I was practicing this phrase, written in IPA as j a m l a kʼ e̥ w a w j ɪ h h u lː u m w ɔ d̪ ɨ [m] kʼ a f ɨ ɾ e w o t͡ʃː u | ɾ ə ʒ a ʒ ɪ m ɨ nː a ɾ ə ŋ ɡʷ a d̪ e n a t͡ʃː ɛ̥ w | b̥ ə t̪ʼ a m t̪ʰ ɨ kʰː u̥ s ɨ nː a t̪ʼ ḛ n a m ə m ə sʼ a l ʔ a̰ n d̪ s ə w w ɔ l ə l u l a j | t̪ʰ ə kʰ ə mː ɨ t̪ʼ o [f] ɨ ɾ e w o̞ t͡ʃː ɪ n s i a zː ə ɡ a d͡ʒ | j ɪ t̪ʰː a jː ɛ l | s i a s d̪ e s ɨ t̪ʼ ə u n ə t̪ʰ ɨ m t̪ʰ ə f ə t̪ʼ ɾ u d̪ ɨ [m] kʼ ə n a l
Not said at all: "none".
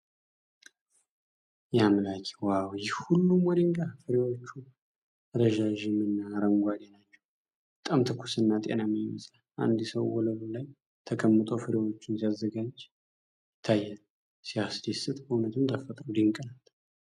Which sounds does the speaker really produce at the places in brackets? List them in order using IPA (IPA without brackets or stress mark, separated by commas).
ŋ, f, ŋ